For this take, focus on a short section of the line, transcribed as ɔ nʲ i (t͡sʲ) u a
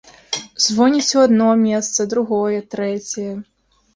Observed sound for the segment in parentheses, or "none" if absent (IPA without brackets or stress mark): t͡sʲ